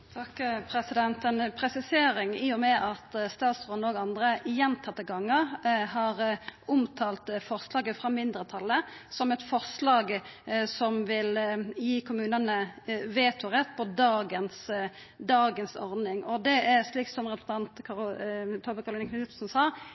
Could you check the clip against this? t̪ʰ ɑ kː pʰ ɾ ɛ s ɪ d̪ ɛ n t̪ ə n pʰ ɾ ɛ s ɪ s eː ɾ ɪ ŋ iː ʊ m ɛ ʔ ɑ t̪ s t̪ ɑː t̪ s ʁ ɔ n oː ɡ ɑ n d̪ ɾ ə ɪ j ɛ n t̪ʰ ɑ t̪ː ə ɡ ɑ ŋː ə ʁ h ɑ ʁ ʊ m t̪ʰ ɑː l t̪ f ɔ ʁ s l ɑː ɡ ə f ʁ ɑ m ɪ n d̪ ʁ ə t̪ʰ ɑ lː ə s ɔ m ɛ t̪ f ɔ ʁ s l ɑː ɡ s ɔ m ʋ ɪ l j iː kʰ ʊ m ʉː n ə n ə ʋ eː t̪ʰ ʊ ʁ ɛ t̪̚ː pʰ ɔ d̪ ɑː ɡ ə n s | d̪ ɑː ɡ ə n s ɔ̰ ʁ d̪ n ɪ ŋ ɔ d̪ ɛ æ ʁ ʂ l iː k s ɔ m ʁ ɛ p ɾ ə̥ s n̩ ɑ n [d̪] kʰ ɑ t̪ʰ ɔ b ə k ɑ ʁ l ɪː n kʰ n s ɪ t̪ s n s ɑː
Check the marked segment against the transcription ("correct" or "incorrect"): incorrect